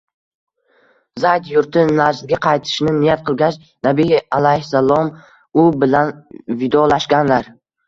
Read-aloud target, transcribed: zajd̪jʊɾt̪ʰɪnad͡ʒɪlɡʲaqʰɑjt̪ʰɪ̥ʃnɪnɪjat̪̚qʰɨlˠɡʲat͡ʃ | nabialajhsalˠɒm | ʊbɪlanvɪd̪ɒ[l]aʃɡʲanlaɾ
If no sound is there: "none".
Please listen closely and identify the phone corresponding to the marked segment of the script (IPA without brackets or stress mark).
l